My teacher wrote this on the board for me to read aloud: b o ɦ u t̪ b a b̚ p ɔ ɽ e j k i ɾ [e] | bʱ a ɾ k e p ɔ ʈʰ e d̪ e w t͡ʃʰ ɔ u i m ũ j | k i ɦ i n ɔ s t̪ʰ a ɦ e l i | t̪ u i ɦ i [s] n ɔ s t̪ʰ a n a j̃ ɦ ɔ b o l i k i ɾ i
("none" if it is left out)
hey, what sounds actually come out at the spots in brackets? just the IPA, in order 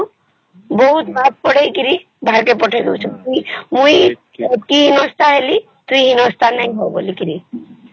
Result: i, none

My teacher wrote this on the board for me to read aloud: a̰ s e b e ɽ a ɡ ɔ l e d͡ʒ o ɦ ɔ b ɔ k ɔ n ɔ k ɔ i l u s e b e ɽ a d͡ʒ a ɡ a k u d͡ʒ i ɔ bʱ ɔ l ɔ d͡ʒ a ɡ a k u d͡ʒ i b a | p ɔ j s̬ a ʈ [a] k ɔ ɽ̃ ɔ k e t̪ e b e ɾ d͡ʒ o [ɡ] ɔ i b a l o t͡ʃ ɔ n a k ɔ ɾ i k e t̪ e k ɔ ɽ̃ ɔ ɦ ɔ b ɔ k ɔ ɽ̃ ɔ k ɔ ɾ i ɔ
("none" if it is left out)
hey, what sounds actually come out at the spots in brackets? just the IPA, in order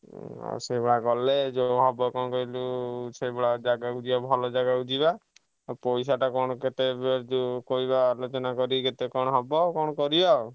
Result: a, k

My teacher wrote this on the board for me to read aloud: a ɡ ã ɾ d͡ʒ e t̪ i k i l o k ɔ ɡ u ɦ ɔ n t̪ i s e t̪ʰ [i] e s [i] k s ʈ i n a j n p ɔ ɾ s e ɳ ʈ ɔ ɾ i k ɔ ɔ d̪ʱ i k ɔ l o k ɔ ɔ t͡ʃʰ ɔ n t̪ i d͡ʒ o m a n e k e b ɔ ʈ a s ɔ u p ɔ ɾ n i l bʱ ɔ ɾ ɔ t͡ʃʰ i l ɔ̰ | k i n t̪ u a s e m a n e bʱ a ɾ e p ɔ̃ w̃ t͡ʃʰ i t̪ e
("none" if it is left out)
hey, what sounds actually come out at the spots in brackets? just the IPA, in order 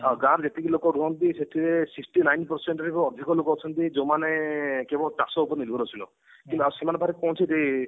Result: i, i

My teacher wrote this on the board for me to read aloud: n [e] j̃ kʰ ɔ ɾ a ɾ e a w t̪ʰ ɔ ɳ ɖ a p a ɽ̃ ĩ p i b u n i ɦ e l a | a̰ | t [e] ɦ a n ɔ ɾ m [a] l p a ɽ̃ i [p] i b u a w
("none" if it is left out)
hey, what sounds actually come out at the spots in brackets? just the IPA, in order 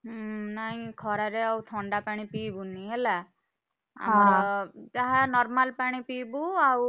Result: a, a, a, p

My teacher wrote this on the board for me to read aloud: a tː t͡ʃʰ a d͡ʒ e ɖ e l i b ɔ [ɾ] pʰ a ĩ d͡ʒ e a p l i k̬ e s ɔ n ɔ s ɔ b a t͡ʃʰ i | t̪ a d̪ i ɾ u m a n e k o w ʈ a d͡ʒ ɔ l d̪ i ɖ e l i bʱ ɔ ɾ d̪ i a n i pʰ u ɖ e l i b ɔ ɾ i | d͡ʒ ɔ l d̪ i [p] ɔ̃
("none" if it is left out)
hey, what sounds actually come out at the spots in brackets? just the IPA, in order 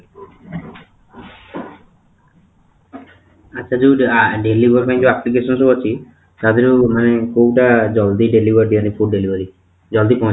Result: ɾ, p

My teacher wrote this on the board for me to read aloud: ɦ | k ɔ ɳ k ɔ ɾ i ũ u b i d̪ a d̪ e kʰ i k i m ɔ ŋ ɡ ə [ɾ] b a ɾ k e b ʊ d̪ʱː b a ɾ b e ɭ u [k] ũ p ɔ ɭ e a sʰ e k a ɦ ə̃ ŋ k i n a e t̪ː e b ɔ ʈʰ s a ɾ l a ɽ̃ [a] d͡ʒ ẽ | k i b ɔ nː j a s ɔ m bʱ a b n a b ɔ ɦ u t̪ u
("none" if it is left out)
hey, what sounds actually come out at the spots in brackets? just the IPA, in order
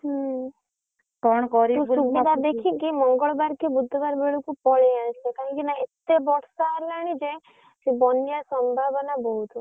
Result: ɭ, k, i

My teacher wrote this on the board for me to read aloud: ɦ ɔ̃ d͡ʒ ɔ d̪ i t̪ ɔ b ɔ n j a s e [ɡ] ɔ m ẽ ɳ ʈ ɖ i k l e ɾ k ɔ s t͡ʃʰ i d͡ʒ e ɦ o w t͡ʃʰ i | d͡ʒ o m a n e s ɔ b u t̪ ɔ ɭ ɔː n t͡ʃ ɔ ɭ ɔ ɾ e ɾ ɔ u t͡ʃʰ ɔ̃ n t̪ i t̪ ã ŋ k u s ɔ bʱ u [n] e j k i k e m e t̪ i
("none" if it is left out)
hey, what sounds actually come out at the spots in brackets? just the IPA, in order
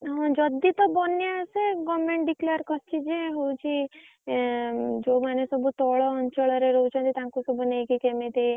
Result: ɡ, n

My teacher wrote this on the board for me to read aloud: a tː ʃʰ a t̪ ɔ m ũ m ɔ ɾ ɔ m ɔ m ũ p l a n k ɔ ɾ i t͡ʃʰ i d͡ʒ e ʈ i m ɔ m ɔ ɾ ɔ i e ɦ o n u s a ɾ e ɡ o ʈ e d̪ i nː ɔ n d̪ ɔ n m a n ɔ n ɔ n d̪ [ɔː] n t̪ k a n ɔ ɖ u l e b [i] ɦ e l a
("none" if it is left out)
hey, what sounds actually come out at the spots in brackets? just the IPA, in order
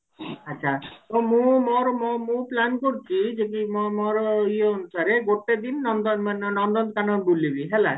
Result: ɔ, i

